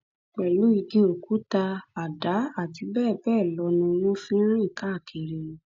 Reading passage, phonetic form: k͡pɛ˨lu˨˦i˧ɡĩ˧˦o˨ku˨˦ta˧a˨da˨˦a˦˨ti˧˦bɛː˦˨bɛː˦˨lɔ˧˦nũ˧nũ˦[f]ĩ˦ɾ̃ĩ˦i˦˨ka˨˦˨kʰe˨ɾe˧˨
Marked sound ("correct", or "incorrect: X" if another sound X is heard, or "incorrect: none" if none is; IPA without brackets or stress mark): correct